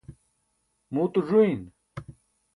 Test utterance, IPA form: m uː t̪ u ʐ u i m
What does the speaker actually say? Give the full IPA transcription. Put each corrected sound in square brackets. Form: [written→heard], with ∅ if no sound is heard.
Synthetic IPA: m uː t̪ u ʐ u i [m→n]